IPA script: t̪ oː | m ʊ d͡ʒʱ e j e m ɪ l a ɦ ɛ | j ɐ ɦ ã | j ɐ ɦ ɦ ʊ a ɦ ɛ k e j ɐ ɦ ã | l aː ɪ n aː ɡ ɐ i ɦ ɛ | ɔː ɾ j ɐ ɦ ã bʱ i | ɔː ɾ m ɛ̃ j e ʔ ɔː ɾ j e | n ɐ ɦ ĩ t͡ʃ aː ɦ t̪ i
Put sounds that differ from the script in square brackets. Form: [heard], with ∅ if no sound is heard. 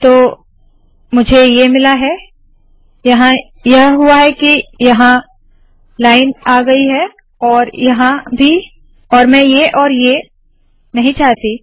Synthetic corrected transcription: t̪ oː | m ʊ d͡ʒʱ e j e m ɪ l a ɦ ɛ | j ɐ ɦ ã | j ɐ ɦ ɦ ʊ a ɦ ɛ k [i] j ɐ ɦ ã | l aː ɪ n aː ɡ ɐ i ɦ ɛ | ɔː ɾ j ɐ ɦ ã bʱ i | ɔː ɾ m ɛ̃ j e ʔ ɔː ɾ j e | n ɐ ɦ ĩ t͡ʃ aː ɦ t̪ i